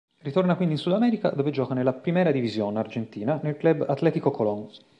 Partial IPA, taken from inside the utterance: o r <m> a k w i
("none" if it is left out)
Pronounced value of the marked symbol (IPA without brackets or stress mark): n